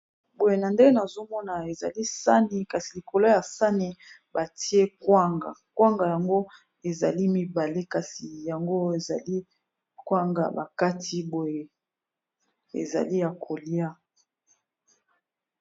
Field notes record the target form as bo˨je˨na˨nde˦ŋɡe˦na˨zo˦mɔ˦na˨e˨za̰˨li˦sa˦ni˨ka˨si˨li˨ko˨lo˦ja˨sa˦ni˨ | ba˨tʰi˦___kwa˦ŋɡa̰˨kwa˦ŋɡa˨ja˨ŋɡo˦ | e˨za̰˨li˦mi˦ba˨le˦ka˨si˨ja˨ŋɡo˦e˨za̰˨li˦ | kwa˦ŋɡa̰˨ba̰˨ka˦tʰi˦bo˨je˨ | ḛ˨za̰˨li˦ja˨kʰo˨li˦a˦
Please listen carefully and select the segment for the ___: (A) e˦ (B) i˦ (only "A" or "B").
A